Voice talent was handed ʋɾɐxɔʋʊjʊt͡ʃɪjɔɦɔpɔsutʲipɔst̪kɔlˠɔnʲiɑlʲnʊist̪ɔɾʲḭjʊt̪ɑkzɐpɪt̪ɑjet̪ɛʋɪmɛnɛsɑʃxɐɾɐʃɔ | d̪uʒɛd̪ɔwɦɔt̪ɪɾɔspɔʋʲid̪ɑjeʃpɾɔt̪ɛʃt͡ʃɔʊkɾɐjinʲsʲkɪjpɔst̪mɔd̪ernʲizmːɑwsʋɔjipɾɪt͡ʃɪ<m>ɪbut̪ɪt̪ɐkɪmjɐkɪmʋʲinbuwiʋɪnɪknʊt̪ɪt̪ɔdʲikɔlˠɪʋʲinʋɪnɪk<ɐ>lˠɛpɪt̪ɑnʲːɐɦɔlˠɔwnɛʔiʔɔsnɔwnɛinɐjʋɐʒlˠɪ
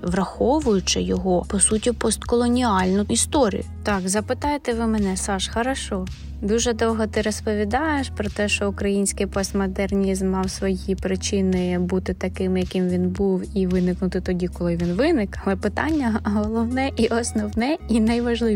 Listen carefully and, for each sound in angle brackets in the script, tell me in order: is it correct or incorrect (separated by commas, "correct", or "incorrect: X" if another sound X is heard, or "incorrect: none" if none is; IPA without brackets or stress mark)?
incorrect: n, correct